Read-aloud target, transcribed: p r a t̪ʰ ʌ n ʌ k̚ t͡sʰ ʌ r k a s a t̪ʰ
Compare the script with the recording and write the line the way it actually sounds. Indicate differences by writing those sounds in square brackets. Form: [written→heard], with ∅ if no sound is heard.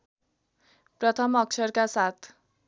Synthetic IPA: p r [a→ʌ] t̪ʰ ʌ [n→m] ʌ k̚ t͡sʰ ʌ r k a s a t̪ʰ